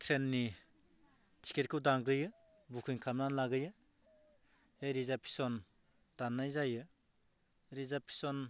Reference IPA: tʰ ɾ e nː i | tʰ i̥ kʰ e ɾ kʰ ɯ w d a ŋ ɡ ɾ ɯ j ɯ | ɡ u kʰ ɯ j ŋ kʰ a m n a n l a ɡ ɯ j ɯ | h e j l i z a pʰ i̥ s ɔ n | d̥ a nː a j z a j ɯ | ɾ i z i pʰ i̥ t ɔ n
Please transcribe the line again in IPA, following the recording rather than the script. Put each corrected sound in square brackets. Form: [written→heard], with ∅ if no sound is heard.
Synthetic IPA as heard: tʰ ɾ e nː i | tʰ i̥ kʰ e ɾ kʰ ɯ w d a ŋ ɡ ɾ ɯ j ɯ | [ɡ→b] u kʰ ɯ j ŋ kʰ a m n a n l a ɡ ɯ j ɯ | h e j [l→ɾ] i z a pʰ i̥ s ɔ n | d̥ a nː a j z a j ɯ | ɾ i z [i→a] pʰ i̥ [t→s] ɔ n